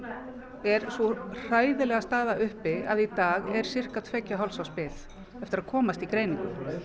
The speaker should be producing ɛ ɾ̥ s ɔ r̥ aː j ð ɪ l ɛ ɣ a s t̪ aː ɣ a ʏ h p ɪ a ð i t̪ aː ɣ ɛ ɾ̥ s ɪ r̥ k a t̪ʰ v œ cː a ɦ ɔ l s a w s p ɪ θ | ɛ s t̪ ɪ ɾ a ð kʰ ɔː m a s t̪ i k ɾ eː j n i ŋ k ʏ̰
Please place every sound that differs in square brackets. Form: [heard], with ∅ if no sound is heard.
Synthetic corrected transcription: ɛ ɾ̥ s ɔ r̥ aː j ð ɪ l ɛ ɣ a s t̪ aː [ð] a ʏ h p ɪ a ð i t̪ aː ɣ ɛ ɾ̥ s ɪ r̥ k a t̪ʰ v [ɛ] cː a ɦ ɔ l s a w s p ɪ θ | ɛ [f] t̪ ɪ ɾ a ð kʰ ɔː m a s t̪ i k ɾ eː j n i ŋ k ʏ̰

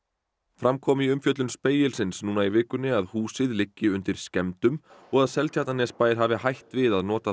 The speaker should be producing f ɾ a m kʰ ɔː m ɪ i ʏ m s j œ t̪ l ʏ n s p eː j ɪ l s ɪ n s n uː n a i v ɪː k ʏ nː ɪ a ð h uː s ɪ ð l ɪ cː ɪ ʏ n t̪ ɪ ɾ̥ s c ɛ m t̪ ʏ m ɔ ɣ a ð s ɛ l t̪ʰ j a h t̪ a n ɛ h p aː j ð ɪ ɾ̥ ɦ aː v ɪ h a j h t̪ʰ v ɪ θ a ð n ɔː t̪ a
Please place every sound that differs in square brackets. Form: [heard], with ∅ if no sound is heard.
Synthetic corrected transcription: f ɾ a m kʰ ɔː m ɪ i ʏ m [f] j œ t̪ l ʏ n s p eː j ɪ l s ɪ n s n uː n a i v ɪː k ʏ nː ɪ a ð h uː s ɪ ð l ɪ cː ɪ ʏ n t̪ ɪ ɾ̥ s c ɛ m t̪ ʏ m ɔ ɣ a ð s ɛ l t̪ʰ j a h t̪ a n ɛ [s] p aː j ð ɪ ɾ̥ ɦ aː v ɪ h a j h [t̪] v ɪ [ð] a ð n ɔː t̪ a

